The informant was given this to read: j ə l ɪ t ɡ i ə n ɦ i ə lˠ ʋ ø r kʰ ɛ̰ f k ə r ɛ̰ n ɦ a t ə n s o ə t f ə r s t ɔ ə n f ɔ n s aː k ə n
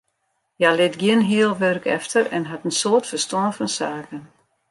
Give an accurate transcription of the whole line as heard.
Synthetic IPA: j a l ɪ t ɡ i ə n ɦ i ə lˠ ʋ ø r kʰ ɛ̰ f t ə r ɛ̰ n ɦ a t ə n s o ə t f ə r s t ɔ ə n f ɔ n s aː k ə n

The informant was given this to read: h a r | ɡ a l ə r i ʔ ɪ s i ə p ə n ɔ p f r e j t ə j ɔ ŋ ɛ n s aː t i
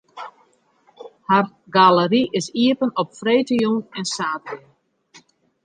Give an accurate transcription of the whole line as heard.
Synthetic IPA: h a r | ɡ a l ə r i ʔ ɪ s i ə p ə n ɔ p f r e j t ə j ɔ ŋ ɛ n s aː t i

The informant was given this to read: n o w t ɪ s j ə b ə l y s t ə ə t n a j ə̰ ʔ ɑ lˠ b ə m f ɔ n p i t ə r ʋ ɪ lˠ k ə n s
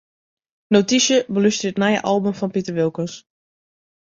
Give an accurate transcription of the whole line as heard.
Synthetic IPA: n o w t i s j ə b ə l y s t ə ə t n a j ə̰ ʔ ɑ lˠ b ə m f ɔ n p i t ə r ʋ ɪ lˠ k ə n s

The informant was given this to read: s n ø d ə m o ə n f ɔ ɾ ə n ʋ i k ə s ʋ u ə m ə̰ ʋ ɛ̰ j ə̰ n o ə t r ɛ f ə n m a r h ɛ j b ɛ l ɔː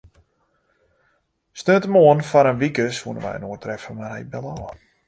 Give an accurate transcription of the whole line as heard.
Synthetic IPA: s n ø t ə m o ə n f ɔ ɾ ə n ʋ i k ə s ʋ u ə n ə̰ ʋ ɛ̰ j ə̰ n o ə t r ɛ f ə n m a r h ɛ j b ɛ l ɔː

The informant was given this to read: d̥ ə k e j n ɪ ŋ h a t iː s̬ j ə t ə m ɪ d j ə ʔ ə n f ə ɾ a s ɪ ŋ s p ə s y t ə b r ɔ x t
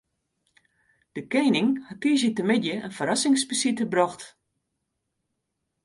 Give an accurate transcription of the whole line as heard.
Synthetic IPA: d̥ ə k e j n ɪ ŋ h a t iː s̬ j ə t ə m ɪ d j ə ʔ ə n f ə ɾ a s ɪ ŋ s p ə s i t ə b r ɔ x t

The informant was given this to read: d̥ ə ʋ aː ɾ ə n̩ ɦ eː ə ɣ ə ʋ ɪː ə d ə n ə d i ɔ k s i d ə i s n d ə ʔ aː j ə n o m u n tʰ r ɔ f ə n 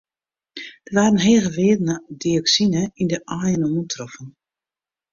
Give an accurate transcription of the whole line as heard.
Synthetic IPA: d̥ ə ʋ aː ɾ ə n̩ ɦ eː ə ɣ ə ʋ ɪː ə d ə n ə d i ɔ k s i n ə i n d ə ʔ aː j ə n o m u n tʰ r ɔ f ə n

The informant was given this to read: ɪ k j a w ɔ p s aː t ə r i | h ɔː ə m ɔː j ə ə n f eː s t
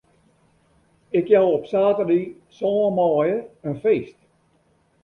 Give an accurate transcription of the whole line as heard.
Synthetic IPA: ɪ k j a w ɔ p s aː t ə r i | s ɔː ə m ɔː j ə ə n f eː s t

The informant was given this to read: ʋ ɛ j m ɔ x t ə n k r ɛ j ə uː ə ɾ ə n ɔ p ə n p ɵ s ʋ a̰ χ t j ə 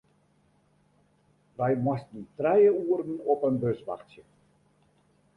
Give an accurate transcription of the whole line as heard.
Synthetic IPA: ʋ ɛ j m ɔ s t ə n t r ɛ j ə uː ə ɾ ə n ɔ p ə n b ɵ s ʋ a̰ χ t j ə

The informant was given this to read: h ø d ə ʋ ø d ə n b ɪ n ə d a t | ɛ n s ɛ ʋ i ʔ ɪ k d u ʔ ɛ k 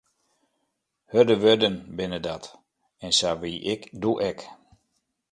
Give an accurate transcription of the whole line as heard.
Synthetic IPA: h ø d ə ʋ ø d ə n b ɪ n ə d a t | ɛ n s a ʋ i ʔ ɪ k d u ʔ ɛ k

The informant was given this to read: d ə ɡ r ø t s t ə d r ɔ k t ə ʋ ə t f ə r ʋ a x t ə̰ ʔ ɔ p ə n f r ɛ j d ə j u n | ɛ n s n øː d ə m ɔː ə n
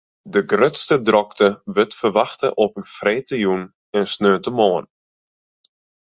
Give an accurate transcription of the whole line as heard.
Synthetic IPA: d ə ɡ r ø t s t ə d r ɔ k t ə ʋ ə t f ə r ʋ a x t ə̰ ʔ ɔ p ə n f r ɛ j t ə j u n | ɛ n s n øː t ə m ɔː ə n

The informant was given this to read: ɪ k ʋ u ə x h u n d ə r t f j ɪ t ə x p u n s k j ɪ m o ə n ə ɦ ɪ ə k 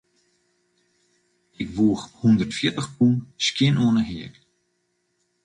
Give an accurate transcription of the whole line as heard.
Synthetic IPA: ɪ k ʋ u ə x h u n d ə r t f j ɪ t ə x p u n s k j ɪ n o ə n ə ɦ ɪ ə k

